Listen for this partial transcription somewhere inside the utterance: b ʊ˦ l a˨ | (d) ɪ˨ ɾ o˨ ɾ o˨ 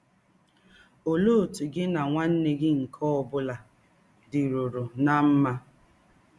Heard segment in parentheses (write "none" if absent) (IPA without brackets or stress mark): d